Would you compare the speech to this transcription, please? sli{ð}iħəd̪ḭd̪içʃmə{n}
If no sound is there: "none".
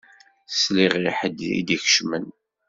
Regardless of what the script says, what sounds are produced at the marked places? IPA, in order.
ʁ, n

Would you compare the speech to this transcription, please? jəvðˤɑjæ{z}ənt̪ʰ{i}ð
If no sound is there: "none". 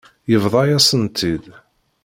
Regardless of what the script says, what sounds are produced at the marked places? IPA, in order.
s, i

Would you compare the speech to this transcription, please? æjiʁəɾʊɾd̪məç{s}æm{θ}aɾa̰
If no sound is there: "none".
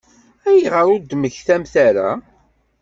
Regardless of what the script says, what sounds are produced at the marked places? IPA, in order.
θ, θ

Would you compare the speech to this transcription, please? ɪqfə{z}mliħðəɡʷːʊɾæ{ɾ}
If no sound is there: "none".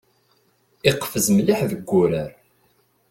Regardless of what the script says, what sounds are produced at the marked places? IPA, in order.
z, ɾ

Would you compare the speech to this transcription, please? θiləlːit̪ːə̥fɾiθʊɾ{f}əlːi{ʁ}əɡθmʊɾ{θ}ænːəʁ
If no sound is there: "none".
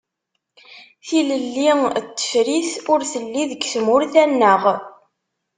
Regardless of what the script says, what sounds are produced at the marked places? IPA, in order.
θ, ð, θ

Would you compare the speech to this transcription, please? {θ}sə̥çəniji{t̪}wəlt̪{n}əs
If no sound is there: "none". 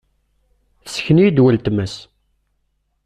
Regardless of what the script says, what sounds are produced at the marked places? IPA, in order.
θ, d̪, m

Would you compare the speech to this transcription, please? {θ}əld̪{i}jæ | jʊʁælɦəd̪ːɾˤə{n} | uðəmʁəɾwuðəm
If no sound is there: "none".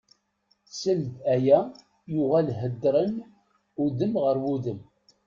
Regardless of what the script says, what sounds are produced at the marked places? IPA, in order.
s, æ, n

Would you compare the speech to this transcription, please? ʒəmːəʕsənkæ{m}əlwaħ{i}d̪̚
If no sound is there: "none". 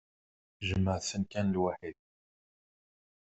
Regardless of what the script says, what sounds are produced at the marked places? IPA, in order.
n, i

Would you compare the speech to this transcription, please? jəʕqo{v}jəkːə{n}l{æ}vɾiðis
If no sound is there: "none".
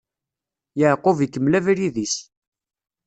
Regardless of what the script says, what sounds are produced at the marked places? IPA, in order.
v, m, æ

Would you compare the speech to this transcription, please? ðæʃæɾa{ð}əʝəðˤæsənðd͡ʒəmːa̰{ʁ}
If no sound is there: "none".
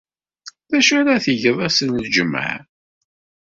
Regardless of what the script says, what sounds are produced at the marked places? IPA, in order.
θ, ʕ

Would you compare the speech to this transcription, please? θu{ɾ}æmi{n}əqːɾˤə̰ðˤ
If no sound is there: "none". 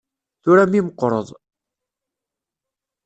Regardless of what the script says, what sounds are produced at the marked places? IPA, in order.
ɾ, m

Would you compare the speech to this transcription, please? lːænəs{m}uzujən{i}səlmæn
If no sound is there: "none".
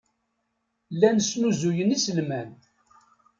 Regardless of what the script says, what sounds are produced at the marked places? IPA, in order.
n, i

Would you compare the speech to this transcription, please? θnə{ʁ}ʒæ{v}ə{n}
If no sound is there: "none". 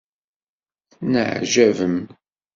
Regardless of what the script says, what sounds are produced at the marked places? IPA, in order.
ʕ, v, m

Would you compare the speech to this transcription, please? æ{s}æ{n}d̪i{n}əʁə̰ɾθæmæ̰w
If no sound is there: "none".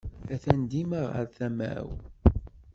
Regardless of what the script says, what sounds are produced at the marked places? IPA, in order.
θ, n, m

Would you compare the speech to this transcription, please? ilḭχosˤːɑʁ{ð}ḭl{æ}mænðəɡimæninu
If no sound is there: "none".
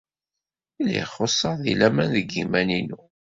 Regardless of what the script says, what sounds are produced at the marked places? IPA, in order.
ð, æ

